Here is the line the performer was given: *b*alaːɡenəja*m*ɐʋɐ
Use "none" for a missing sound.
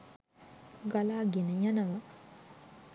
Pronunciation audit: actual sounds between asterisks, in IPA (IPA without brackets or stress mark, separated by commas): ɡ, n